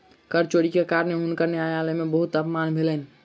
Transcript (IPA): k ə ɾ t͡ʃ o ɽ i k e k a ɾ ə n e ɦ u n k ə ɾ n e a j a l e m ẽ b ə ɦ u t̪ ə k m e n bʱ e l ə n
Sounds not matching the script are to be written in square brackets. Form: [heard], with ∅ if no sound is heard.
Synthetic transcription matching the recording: k ə ɾ t͡ʃ o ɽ i k e k a ɾ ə n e ɦ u n k ə ɾ n e a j a l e m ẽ b ə ɦ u t̪ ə [p] m [a] n bʱ e l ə n